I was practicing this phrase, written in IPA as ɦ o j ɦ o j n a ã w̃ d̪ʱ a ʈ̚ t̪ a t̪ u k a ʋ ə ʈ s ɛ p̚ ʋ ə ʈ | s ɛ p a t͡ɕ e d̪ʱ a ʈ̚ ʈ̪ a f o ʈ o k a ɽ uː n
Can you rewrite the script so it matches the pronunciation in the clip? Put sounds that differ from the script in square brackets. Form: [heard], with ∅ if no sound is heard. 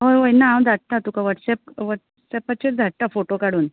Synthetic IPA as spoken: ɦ o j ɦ o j n a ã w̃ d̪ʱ a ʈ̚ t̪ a t̪ u k a ʋ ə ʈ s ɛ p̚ ʋ ə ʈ | s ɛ p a t͡ɕ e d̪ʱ a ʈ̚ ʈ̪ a f o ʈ o k a ɽ uː n